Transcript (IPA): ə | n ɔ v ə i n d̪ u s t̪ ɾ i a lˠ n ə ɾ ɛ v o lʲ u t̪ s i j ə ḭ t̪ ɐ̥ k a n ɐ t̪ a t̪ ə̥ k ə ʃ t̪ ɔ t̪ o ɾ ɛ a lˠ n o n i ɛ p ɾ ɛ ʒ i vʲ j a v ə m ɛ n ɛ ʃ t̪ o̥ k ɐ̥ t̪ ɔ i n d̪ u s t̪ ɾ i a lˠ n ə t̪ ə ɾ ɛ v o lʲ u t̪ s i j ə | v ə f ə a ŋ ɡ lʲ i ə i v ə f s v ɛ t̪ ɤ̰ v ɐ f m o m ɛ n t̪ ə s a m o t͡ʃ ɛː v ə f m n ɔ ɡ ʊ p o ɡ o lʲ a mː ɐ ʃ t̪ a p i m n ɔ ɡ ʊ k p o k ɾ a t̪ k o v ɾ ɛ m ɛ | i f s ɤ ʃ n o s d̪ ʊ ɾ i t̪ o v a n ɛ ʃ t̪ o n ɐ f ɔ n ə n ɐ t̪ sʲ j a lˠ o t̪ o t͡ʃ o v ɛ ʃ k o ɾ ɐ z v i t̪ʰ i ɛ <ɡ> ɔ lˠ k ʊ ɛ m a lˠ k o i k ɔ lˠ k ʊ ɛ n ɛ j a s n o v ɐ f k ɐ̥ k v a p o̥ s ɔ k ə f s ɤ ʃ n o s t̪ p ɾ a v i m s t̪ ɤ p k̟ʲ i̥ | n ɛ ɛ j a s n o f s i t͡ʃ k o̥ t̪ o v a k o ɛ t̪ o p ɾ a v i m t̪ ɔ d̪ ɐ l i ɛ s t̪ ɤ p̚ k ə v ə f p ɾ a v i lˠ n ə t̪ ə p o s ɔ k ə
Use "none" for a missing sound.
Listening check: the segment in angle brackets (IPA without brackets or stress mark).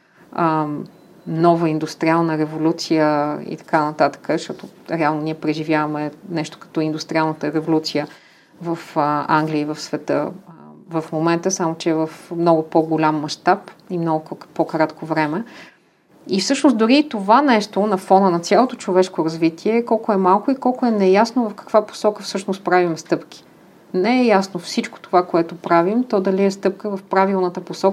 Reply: k